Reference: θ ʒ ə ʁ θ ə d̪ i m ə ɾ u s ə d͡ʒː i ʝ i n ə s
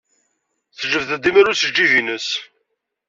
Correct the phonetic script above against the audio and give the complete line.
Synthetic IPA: θ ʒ ə v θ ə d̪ i m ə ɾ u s ə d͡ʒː i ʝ i n ə s

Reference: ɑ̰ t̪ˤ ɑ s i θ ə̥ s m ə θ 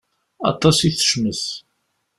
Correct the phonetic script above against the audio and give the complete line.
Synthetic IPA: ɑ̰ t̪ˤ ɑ s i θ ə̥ ʃ m ə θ

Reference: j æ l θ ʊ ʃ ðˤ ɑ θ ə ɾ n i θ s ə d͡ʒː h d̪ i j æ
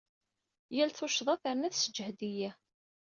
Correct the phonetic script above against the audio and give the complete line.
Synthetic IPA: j æ l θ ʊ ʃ ðˤ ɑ θ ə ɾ n æ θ s ə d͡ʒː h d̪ i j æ

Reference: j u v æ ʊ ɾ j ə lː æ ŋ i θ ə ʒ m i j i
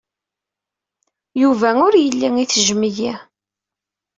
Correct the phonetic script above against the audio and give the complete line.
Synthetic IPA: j u v æ ʊ ɾ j ə lː i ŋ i θ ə ʒ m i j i

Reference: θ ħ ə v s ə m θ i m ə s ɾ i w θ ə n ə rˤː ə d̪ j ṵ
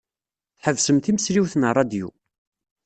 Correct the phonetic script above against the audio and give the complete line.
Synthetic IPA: θ ħ ə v s ə m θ i m ə s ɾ i w θ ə n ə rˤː ɑ d̪ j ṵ

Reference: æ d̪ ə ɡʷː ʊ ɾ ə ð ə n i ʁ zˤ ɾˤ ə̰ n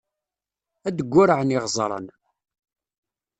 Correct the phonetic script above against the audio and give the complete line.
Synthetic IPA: æ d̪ ə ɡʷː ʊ ɾ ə ʕ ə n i ʁ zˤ ɾˤ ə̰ n

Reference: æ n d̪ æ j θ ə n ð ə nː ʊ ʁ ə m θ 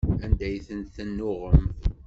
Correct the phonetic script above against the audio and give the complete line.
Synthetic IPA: æ n d̪ æ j θ ə n θ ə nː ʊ ʁ ə m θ

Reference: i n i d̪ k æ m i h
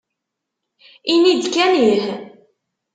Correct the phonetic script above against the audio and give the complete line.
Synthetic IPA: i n i d̪ k æ n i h

